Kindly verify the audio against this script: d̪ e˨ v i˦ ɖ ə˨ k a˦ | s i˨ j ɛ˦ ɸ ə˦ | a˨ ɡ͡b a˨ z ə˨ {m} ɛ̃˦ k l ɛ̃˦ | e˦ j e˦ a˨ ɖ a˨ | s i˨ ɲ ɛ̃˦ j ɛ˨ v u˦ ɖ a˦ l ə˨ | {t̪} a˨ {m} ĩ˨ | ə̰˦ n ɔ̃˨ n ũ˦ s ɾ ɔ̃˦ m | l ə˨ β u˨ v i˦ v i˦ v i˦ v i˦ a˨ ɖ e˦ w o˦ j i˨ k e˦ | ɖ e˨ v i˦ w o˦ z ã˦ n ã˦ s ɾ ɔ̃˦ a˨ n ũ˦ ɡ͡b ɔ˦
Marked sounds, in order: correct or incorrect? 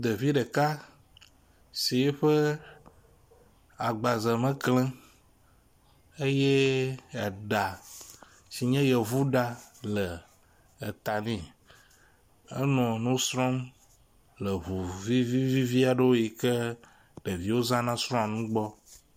correct, correct, incorrect: n

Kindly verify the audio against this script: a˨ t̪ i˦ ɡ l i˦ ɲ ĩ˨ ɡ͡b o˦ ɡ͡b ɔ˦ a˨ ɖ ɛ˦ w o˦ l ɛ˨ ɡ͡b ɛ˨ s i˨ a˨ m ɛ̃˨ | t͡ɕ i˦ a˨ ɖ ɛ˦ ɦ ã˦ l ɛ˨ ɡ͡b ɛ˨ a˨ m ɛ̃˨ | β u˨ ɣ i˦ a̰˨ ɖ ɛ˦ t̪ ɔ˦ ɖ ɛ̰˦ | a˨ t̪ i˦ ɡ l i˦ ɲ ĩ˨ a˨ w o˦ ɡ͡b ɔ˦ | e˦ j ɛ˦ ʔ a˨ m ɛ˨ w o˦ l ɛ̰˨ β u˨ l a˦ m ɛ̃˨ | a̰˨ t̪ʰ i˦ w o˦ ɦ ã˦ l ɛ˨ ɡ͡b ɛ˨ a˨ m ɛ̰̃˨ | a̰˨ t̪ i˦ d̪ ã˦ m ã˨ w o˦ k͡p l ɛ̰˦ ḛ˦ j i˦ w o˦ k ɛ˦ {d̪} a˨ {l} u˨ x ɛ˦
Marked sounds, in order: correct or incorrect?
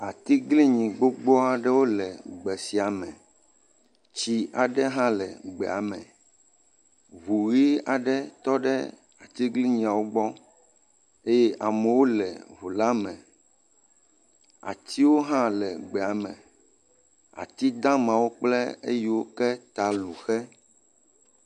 incorrect: t̪, correct

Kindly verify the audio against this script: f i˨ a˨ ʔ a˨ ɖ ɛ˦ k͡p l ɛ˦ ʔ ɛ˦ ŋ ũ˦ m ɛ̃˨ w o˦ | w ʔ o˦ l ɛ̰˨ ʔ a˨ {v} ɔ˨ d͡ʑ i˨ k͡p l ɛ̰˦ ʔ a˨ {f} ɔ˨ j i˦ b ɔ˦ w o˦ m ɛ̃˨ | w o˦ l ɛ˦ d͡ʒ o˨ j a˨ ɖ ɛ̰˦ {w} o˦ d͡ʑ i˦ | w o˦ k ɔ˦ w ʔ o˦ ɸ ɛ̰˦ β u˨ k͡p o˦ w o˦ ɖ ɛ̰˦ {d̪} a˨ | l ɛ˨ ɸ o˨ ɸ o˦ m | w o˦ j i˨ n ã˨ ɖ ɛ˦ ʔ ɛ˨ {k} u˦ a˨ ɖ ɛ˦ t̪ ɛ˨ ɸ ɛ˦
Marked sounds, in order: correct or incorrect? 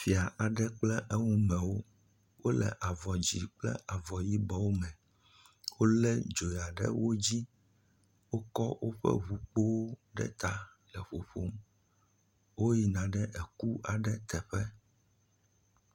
correct, incorrect: v, correct, incorrect: t̪, correct

